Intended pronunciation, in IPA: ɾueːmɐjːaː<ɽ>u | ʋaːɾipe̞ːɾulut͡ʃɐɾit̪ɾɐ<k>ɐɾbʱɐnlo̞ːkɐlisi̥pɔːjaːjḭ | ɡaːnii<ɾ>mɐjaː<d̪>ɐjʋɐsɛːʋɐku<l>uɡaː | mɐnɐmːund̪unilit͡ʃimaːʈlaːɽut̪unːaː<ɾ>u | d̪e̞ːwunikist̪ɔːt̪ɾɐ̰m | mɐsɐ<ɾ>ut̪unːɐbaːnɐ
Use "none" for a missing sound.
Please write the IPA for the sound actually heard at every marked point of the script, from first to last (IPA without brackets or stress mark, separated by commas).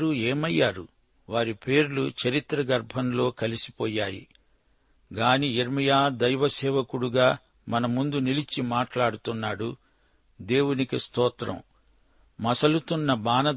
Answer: ɾ, ɡ, ɾ, d̪, ɽ, ɽ, l